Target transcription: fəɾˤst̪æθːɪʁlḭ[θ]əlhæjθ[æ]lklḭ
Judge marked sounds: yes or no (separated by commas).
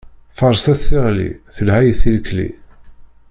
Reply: yes, no